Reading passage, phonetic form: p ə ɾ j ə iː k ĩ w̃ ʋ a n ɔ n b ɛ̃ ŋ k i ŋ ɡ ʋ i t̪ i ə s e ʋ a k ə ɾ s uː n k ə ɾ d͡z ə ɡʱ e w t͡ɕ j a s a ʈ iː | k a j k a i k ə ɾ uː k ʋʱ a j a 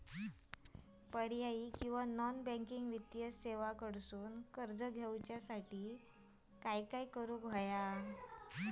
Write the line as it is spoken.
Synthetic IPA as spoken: p ə ɾ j a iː k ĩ w̃ ʋ a n ɔ n b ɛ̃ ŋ k i ŋ ɡ ʋ i t̪ j ə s e ʋ a k ə ɽ s uː n k ə ɾ d͡z ə ɡʱ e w t͡ɕ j a s a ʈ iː | k a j k a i k ə ɾ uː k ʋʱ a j a